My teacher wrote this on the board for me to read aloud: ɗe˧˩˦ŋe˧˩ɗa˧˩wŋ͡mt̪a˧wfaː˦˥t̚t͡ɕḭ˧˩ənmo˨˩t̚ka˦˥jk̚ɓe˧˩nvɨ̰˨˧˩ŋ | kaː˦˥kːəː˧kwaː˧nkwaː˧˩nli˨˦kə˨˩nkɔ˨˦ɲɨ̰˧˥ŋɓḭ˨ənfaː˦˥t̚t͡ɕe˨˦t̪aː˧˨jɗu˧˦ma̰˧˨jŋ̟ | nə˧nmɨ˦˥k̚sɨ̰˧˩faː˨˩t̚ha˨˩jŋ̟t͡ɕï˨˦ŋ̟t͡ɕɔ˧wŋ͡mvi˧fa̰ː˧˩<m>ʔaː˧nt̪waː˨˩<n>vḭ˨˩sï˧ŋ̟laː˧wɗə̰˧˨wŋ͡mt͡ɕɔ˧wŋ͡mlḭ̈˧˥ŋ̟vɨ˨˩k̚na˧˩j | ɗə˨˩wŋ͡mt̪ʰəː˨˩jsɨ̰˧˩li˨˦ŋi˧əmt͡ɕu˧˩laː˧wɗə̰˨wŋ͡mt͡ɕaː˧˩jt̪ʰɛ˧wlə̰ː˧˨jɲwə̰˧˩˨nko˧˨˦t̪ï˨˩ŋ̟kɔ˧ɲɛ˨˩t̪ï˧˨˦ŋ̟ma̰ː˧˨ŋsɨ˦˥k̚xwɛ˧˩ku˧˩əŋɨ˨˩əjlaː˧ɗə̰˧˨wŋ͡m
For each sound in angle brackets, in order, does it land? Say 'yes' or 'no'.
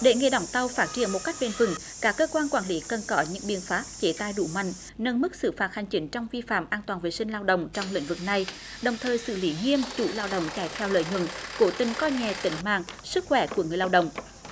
yes, yes

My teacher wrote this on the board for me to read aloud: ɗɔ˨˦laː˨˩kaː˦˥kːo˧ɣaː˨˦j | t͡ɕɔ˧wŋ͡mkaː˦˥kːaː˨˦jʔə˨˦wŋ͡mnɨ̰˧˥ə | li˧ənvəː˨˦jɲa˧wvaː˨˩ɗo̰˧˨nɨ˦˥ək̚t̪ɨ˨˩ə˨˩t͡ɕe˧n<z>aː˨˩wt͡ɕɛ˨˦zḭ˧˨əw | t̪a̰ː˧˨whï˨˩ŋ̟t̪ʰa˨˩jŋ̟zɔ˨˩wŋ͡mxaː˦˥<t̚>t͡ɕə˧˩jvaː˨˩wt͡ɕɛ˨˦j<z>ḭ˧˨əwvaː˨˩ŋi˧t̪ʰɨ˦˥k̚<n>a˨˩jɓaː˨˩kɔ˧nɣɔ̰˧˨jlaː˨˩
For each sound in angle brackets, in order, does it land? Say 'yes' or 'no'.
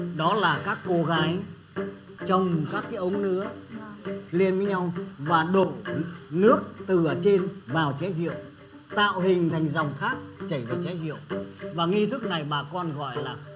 no, no, yes, yes

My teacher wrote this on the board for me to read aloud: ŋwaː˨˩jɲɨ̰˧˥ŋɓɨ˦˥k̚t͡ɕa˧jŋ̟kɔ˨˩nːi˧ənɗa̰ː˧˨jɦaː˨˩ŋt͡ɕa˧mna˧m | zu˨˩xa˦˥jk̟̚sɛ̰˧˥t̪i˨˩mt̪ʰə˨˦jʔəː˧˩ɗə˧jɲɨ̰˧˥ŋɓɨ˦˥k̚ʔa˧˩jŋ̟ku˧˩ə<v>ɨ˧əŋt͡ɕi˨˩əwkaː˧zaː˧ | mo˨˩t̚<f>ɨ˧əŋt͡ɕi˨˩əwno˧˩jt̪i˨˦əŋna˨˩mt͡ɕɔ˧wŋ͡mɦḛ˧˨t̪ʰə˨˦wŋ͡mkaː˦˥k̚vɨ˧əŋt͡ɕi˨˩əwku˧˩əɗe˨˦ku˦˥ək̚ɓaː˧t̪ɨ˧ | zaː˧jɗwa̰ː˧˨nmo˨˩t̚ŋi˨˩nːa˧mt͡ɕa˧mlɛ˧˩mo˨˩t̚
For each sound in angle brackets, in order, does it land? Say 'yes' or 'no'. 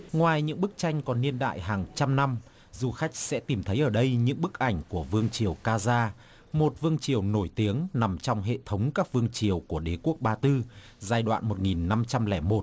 yes, no

